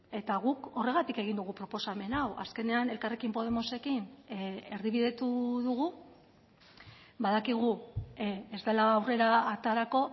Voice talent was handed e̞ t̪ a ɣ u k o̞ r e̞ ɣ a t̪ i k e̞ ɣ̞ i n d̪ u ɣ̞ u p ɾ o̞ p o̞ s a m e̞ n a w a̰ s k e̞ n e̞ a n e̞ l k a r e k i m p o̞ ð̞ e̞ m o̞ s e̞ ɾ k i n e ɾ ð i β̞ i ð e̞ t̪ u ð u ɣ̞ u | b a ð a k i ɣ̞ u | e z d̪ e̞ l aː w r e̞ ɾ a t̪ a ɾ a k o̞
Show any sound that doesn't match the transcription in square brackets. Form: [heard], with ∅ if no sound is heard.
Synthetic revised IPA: e̞ t̪ a ɣ u k o̞ r e̞ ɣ a t̪ i k e̞ ɣ̞ i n d̪ u ɣ̞ u p ɾ o̞ p o̞ s a m e̞ n a w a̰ s k e̞ n e̞ a n e̞ l k a r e k i m p o̞ ð̞ e̞ m o̞ s e̞ [∅] k i n e ɾ ð i β̞ i ð e̞ t̪ u ð u ɣ̞ u | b a ð a k i ɣ̞ u | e z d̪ e̞ l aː w r e̞ ɾ a t̪ a ɾ a k o̞